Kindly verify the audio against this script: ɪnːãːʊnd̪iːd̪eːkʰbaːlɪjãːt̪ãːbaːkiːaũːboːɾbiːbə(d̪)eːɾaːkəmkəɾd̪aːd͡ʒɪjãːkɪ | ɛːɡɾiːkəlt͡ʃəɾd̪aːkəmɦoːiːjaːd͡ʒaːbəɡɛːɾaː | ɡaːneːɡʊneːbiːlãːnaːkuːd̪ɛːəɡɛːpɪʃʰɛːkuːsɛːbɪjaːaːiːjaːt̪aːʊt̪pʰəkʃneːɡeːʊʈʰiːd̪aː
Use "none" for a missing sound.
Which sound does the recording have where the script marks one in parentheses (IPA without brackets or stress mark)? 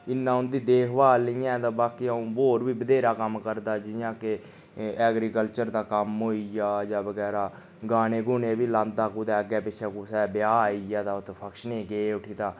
d̪